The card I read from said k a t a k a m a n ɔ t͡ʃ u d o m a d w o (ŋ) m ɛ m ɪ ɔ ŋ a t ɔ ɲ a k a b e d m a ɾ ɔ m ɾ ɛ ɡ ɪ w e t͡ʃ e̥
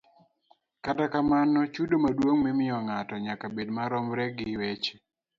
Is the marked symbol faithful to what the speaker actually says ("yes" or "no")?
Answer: yes